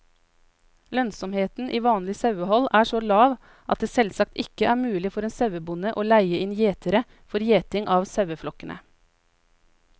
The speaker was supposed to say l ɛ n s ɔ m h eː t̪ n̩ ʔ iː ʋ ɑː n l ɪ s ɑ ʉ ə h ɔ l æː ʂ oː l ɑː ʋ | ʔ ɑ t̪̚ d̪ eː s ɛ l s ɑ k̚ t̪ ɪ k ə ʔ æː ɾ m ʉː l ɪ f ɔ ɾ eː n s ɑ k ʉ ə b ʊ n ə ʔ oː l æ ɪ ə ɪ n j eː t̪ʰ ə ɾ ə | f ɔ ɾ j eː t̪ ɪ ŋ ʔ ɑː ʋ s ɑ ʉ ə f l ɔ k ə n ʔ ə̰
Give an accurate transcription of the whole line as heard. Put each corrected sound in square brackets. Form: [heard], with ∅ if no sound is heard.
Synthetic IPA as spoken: l [œ] n s ɔ m h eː t̪ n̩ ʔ iː ʋ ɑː n l ɪ s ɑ ʉ ə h ɔ l æː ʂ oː l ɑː ʋ | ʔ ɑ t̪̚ d̪ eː s ɛ l s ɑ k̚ t̪ ɪ k ə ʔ æː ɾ m ʉː l ɪ f ɔ ɾ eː n s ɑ [∅] ʉ ə b ʊ n ə ʔ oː l æ ɪ ə ɪ n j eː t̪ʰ ə ɾ ə | f ɔ ɾ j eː t̪ ɪ ŋ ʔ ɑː ʋ s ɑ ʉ ə f l ɔ k ə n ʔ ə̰